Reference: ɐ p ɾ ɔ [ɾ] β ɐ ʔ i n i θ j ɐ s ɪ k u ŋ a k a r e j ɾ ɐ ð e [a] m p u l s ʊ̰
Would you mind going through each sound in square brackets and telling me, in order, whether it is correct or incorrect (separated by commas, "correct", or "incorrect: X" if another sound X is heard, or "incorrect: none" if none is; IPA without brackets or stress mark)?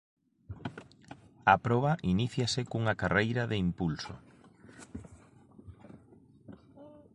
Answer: incorrect: none, incorrect: i